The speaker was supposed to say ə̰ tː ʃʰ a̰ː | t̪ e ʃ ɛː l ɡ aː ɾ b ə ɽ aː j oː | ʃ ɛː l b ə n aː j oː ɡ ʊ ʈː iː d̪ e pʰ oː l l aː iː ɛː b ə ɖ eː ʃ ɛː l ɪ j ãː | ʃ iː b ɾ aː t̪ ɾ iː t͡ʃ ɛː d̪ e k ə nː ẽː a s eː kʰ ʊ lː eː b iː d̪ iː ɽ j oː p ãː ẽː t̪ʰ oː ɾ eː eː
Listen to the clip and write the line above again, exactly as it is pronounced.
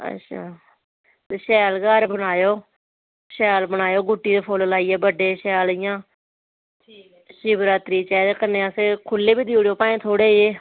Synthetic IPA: ə̰ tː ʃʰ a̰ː | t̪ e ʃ ɛː l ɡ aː ɾ b ə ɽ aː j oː | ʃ ɛː l b ə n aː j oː ɡ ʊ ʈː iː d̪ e pʰ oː l l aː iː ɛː b ə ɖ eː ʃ ɛː l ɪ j ãː | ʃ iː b ɾ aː t̪ ɾ iː t͡ʃ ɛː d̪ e k ə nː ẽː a s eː kʰ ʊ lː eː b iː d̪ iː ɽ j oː p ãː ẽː t̪ʰ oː ɽ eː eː